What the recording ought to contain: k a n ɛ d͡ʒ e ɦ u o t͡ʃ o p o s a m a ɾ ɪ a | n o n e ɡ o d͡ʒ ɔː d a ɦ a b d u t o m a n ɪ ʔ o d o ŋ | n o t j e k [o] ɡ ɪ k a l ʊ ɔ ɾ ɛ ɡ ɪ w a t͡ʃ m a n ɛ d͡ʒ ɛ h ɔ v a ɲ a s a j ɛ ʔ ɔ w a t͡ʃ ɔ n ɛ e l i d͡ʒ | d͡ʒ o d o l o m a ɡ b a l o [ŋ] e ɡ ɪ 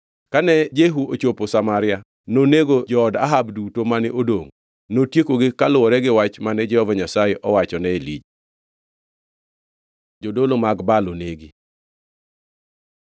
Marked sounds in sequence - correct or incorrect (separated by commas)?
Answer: correct, incorrect